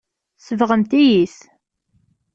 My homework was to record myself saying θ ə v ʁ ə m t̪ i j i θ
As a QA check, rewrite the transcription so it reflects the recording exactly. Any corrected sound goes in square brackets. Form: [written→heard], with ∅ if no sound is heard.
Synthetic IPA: [θ→s] ə v ʁ ə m t̪ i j i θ